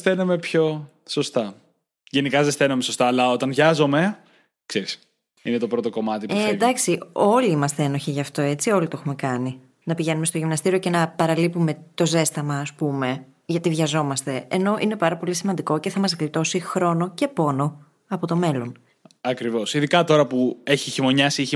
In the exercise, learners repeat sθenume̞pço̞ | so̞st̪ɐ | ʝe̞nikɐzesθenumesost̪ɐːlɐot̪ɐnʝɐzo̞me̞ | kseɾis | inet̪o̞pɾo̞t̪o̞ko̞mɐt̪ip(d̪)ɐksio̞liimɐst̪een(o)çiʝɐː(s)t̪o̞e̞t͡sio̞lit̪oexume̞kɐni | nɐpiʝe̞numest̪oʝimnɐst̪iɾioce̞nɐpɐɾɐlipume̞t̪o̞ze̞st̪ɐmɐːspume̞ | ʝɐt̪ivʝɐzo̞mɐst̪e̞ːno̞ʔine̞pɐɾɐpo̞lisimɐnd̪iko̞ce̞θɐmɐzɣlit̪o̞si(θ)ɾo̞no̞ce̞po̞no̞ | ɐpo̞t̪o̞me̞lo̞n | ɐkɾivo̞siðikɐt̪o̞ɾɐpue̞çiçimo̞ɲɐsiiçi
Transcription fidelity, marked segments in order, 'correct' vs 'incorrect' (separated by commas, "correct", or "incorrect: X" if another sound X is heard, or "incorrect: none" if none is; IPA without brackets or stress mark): correct, correct, incorrect: f, incorrect: x